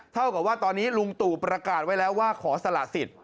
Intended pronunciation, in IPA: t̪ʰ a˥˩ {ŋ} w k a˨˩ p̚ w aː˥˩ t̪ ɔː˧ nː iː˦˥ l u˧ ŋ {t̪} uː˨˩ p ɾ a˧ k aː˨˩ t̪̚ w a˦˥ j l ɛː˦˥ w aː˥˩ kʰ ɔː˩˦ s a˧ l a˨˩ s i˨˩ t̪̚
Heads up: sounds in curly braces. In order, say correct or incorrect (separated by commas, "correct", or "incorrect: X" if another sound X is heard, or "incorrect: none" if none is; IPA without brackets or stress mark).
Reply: incorrect: none, correct